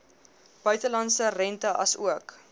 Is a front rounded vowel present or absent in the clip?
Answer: present